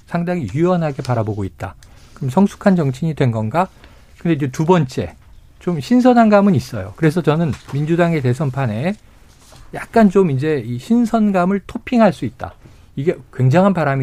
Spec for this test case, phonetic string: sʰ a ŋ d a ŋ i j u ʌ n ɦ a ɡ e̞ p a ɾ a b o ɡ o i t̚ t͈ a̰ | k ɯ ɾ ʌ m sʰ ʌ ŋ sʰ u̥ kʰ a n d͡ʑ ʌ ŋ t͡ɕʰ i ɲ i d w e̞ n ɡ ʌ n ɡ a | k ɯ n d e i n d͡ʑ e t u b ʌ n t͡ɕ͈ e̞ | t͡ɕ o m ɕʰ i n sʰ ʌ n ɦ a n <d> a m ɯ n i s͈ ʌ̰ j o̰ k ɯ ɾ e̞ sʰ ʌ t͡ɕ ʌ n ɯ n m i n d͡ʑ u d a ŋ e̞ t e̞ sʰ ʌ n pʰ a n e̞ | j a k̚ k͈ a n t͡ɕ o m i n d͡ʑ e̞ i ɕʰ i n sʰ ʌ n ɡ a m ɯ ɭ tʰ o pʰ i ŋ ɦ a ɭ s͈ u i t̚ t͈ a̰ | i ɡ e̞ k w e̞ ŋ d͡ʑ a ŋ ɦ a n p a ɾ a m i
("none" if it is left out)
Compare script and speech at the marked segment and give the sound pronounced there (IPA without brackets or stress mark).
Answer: ɡ